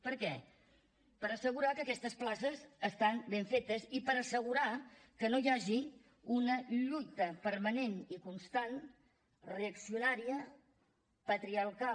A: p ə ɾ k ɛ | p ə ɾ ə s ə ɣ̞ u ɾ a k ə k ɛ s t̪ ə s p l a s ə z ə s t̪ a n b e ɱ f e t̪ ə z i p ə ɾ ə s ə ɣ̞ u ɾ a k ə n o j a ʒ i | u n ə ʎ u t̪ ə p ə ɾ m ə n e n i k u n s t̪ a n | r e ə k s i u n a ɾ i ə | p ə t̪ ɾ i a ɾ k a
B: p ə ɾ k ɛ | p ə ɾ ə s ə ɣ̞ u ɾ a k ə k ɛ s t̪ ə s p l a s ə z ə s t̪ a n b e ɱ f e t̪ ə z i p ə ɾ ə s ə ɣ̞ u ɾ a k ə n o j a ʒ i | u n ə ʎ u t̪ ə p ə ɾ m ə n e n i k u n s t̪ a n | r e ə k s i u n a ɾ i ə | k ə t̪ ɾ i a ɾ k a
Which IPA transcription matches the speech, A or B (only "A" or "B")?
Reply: A